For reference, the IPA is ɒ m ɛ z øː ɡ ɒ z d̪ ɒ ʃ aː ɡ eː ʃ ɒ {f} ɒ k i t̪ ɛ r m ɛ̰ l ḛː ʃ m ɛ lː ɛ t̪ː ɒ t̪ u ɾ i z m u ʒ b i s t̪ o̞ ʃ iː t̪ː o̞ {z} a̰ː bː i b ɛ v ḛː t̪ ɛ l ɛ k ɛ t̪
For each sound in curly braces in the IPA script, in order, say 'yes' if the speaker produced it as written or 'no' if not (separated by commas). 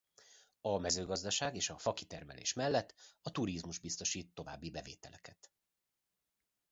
yes, no